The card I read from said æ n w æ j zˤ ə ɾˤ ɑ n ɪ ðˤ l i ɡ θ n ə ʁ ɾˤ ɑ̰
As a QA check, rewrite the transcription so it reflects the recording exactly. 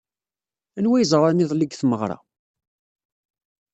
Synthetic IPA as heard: æ n w æ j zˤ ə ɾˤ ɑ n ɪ ðˤ l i ɡ θ m ə ʁ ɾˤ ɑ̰